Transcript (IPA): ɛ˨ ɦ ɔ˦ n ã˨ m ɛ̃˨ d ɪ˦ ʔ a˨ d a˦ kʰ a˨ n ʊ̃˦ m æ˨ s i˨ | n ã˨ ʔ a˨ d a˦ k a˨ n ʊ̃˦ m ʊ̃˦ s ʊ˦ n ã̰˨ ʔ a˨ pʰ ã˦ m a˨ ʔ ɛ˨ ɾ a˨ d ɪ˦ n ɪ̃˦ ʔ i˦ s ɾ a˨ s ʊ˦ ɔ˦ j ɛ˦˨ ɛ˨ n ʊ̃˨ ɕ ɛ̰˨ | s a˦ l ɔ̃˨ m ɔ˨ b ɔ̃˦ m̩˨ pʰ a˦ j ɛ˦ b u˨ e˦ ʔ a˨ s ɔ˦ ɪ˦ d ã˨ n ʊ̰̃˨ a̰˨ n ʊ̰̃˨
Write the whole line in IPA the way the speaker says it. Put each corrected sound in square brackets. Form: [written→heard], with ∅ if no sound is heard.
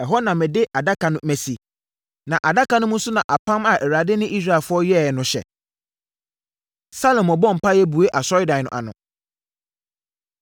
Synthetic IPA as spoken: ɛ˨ ɦ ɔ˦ n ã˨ m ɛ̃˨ d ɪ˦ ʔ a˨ d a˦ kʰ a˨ n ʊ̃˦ m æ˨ s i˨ | n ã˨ ʔ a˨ d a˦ k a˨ n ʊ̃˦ m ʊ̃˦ s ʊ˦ n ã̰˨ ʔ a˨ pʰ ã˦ m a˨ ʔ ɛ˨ ɾ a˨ d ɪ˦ n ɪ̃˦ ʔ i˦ s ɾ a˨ [s→f] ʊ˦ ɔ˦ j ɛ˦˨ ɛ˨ n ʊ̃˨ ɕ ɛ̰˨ | s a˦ l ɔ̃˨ m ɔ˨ b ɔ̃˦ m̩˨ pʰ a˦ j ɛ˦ b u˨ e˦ ʔ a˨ s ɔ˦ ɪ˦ d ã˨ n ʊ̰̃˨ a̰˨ n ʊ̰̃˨

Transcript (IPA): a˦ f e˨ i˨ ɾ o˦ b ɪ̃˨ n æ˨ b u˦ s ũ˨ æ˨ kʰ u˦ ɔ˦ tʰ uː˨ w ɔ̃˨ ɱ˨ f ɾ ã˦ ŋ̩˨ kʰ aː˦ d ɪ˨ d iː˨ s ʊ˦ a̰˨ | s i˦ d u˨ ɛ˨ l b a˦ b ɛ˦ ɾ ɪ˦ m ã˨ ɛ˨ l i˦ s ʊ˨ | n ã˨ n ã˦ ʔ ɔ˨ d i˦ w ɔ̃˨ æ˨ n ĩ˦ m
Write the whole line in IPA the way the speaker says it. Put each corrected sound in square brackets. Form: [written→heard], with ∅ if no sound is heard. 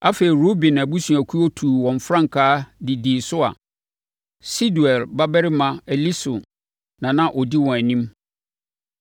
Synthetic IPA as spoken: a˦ f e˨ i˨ ɾ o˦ b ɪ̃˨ n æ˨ b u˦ s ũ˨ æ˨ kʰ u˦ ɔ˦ tʰ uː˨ w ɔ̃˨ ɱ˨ f ɾ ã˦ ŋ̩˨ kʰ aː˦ d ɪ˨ d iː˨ s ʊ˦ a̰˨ | s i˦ d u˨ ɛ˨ l b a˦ b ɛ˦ ɾ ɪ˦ m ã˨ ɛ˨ l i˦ s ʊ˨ | n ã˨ n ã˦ ʔ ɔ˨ d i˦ w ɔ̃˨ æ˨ n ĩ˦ m

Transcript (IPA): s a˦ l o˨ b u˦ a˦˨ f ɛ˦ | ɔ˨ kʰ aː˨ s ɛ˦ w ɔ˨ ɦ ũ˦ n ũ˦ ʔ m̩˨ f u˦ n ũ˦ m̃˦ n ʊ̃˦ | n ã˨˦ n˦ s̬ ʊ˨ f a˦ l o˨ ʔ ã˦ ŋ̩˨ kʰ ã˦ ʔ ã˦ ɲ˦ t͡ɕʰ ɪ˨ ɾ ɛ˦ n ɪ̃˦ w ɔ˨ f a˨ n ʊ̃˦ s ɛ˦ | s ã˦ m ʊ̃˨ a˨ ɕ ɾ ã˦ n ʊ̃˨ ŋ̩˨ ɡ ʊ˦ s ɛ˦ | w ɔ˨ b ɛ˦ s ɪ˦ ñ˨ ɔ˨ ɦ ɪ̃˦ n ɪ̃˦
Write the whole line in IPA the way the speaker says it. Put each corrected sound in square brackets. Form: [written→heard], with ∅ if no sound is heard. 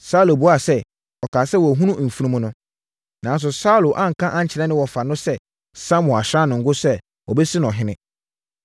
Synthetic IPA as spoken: s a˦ l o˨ b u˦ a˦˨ [f→s] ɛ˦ | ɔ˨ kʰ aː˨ s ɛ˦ w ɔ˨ ɦ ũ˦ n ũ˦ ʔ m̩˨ f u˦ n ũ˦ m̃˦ n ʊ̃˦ | n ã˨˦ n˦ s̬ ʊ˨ [f→s] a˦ l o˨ ʔ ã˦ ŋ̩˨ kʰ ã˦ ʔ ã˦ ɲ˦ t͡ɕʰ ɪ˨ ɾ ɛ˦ n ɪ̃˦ w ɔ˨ f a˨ n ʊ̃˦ s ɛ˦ | s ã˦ m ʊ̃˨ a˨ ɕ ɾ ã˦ n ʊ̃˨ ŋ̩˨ ɡ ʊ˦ s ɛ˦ | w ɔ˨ b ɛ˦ s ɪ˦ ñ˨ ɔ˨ ɦ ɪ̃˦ n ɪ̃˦

